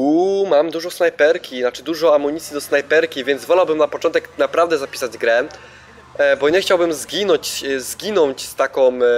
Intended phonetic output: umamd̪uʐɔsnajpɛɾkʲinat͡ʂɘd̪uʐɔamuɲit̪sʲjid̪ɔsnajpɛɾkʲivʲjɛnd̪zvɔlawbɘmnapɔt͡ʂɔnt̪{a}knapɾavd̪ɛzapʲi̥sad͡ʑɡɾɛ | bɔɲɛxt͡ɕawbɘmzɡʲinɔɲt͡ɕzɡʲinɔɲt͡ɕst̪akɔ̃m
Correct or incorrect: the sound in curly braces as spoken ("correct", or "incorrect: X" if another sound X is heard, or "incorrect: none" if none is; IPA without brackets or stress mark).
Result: incorrect: ɛ